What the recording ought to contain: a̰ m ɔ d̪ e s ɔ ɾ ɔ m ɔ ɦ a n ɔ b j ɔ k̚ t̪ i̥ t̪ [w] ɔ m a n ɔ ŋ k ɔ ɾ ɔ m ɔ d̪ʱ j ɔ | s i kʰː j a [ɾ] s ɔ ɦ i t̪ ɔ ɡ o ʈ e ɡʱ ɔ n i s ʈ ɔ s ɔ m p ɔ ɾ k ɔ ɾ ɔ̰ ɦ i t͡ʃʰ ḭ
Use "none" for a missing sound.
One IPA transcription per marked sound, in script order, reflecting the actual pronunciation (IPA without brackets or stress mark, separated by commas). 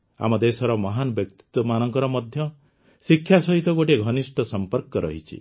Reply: w, none